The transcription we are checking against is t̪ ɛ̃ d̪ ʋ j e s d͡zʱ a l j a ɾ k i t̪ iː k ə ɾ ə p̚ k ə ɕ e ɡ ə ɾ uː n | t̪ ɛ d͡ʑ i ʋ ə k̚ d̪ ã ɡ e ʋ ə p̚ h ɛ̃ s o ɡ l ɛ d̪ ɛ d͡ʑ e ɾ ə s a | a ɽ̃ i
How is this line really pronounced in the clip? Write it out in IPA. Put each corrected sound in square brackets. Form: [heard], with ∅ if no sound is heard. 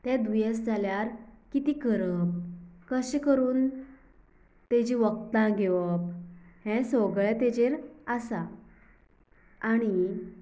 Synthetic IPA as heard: t̪ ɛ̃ d̪ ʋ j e s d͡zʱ a l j a ɾ k i t̪ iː k ə ɾ ə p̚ k ə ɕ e [k] ə ɾ uː n | t̪ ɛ d͡ʑ i ʋ ə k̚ [t̪] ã ɡ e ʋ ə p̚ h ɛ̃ s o ɡ [ɭ] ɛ [t̪] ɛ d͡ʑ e ɾ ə s a | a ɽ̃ i

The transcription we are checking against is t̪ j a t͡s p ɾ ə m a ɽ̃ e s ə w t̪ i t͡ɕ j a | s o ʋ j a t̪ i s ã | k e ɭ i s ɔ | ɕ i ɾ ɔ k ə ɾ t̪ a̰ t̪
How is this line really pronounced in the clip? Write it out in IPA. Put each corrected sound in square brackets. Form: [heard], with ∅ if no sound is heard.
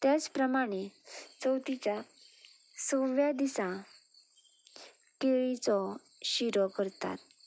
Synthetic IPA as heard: t̪ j a t͡s p ɾ ə m a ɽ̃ e [t͡s] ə w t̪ i t͡ɕ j a | s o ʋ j a [d̪] i s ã | k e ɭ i [t͡s] ɔ | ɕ i ɾ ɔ k ə ɾ t̪ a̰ t̪

